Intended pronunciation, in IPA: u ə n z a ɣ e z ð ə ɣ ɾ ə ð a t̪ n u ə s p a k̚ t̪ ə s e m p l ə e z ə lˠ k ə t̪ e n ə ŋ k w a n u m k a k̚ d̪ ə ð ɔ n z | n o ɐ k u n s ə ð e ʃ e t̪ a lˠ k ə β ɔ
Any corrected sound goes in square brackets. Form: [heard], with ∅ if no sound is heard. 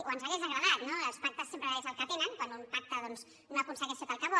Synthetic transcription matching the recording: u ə n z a ɣ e z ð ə ɣ ɾ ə ð a t̪ n [o] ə s p a k̚ t̪ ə s e m p [ɾ] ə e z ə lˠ k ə t̪ e n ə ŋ k w a n u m [p] a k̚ [t̪] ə ð ɔ n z | n o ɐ k u n s ə [ɣ] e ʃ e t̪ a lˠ k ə β ɔ